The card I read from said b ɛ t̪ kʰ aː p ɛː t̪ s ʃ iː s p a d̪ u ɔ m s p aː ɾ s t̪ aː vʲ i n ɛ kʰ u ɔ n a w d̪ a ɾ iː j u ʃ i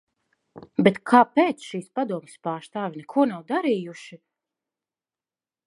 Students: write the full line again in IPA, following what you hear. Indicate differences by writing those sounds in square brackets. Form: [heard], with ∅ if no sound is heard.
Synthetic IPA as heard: b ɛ t̪ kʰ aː p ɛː t̪ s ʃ iː s p a d̪ u ɔ m s p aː ɾ s t̪ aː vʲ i n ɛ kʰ u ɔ n a w d̪ a ɾ iː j u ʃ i